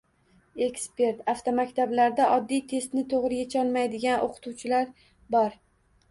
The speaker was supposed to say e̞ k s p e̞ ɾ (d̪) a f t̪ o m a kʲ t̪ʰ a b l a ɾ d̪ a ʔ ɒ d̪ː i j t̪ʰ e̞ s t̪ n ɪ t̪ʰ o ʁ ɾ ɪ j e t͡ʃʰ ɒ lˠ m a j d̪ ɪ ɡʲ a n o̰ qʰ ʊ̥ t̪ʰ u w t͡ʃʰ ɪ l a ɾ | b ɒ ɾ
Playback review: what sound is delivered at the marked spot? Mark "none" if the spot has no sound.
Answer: t̪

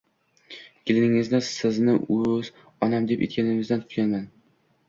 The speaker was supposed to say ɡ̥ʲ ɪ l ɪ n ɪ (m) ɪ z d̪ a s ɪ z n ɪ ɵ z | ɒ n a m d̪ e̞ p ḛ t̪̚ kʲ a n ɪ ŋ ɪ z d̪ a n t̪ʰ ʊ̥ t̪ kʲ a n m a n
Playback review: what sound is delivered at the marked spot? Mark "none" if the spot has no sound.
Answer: ŋ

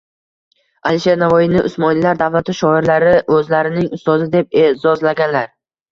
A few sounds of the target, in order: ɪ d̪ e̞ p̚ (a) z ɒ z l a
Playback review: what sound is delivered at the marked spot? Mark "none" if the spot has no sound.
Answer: e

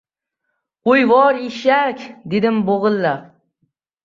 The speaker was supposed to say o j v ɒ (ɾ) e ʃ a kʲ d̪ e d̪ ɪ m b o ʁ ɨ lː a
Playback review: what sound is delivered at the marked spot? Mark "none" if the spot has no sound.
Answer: ɾ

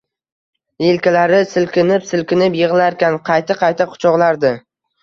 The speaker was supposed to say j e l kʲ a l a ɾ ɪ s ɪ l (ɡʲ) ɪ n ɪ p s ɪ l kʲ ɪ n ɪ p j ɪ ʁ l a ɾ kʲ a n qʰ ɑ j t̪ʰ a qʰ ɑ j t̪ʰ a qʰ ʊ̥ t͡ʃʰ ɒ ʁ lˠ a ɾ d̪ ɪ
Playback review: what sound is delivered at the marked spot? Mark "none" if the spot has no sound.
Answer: kʲ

